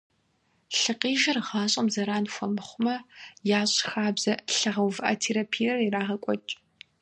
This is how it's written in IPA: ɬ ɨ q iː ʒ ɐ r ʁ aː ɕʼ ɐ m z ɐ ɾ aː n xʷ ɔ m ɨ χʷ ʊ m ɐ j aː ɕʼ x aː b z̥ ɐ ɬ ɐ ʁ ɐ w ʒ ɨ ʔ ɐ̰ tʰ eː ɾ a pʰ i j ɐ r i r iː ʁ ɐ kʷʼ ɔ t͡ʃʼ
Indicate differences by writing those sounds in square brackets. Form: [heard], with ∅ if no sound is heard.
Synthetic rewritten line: ɬ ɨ q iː ʒ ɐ r ʁ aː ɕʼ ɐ m z ɐ ɾ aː n xʷ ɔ m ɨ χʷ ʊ m ɐ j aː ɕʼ x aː b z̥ ɐ ɬ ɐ ʁ ɐ w [v] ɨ ʔ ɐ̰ tʰ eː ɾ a pʰ i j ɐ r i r [aː] ʁ ɐ kʷʼ ɔ t͡ʃʼ